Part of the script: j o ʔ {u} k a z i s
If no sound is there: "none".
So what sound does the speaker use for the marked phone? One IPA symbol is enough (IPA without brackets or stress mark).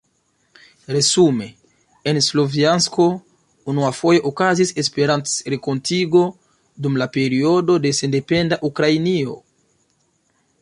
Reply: o